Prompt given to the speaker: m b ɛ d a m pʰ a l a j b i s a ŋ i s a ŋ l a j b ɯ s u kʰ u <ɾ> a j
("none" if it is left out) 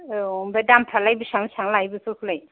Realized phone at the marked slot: l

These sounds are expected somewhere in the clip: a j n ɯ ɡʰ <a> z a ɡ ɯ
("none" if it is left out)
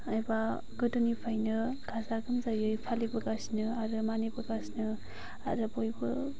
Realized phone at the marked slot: a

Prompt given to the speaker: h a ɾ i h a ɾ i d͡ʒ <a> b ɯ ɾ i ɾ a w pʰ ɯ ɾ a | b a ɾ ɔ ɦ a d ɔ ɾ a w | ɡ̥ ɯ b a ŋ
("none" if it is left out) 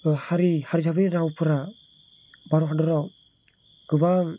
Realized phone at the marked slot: a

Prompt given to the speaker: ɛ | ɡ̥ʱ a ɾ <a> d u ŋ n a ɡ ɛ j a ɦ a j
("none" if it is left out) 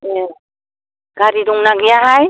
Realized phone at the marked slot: i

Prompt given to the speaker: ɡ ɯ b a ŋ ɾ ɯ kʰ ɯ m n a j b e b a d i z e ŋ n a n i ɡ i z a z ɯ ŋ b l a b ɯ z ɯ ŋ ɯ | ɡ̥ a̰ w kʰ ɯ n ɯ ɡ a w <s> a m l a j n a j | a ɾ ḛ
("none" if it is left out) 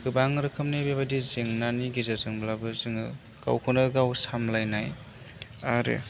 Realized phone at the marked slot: s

